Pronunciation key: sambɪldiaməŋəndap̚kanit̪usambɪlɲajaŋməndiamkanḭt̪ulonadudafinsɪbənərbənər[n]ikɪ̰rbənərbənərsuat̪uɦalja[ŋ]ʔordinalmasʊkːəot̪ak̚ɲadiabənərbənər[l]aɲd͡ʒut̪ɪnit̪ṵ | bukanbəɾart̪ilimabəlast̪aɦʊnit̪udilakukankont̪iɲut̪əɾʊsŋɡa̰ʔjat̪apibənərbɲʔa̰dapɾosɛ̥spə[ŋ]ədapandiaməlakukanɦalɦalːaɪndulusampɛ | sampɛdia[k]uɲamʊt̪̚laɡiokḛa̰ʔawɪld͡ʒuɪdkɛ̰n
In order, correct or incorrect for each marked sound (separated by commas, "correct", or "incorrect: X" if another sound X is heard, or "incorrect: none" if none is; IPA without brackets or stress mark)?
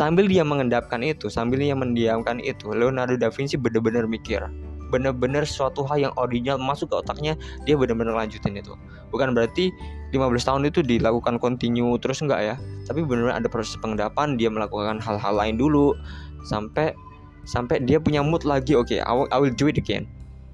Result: incorrect: m, correct, correct, correct, incorrect: p